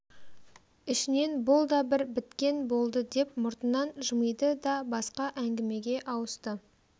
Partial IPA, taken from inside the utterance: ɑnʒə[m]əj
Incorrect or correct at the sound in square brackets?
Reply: correct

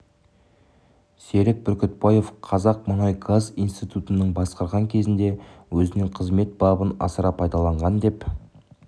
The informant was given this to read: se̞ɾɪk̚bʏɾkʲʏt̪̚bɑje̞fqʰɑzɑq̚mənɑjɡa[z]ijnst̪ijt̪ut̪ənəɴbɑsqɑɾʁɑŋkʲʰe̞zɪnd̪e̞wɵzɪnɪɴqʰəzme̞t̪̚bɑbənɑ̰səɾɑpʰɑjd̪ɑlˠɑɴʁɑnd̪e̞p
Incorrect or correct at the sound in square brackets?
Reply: correct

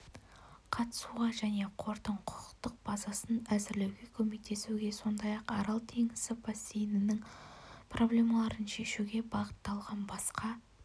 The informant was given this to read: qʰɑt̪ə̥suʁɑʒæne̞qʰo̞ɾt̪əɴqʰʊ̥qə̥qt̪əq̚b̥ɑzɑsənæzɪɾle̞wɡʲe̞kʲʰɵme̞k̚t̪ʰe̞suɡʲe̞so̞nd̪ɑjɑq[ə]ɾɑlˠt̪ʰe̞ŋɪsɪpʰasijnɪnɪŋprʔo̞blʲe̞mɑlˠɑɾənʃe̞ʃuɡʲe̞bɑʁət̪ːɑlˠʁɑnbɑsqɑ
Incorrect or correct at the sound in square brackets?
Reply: incorrect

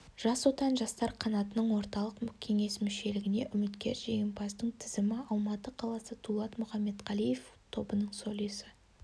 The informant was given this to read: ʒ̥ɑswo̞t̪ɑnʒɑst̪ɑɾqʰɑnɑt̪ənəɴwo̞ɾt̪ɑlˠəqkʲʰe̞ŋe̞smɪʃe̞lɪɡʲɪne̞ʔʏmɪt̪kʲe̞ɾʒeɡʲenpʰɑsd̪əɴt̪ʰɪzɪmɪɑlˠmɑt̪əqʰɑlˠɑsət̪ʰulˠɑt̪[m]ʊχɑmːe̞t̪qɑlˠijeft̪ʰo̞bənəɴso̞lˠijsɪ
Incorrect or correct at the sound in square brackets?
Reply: correct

